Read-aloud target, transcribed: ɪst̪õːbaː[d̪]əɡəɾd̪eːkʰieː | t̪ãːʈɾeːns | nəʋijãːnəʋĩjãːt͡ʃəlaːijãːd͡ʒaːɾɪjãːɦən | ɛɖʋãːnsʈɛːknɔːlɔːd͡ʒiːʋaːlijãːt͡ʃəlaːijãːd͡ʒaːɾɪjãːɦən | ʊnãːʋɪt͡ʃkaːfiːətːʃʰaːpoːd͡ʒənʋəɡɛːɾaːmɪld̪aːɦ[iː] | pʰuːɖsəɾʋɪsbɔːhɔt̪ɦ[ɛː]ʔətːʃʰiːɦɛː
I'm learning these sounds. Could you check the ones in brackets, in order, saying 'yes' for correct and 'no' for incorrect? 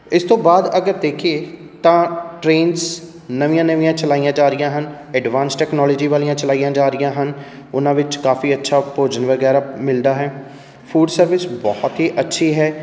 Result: yes, no, no

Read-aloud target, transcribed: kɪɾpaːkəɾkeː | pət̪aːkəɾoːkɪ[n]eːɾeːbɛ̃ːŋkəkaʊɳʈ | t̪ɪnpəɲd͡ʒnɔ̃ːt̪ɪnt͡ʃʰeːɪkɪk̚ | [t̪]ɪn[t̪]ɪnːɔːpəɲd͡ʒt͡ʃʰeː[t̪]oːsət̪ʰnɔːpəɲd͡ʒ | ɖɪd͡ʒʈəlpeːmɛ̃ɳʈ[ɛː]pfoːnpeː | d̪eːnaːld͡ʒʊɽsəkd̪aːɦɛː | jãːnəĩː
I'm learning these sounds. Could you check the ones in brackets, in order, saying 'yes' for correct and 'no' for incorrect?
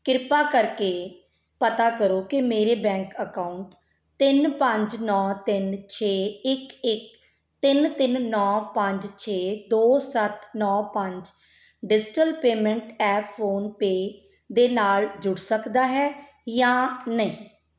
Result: no, yes, yes, no, yes

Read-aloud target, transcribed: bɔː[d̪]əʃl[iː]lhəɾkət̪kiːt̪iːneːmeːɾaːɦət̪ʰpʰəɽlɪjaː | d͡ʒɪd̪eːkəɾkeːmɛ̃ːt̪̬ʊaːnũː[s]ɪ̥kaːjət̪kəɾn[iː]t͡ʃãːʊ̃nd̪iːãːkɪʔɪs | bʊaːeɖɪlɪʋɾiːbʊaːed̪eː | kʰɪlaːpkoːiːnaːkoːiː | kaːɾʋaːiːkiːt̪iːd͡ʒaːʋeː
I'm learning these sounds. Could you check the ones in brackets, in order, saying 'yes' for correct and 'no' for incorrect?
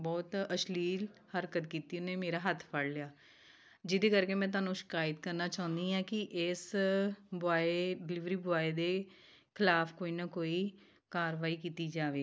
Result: no, yes, no, no

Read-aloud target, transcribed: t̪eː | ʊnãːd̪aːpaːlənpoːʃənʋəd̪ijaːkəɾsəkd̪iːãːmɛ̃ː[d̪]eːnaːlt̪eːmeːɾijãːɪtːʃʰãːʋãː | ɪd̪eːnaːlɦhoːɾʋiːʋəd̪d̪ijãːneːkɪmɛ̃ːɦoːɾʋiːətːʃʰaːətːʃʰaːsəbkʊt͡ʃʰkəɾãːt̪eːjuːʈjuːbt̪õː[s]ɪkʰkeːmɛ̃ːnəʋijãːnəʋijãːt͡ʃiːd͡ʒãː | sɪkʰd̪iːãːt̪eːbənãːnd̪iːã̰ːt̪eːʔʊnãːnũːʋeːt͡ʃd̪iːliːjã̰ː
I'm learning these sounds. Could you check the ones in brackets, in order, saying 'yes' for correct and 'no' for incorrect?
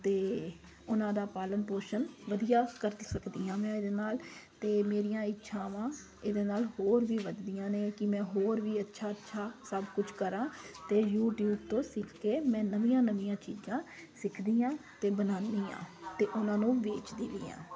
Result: yes, yes

